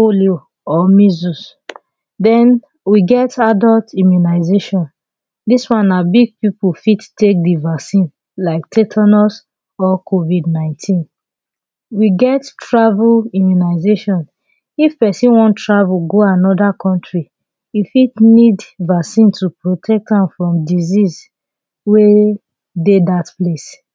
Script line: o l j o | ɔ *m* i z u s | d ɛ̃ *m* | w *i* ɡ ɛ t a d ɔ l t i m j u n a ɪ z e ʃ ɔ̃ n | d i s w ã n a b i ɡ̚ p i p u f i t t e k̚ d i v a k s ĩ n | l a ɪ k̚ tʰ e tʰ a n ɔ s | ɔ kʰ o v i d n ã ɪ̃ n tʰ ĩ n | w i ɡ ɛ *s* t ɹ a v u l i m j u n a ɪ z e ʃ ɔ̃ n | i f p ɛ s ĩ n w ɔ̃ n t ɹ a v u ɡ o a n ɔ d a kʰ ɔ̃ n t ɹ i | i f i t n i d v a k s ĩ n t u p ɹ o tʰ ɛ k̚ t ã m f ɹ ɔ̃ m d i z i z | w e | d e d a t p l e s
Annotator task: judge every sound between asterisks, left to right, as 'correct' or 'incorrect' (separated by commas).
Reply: correct, incorrect, correct, incorrect